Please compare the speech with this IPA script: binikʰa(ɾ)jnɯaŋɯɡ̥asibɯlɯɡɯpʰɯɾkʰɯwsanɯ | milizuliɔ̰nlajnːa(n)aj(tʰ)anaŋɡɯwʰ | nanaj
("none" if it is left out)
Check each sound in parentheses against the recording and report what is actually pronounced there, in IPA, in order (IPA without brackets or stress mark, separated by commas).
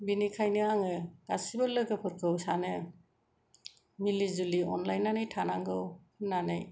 none, n, tʰ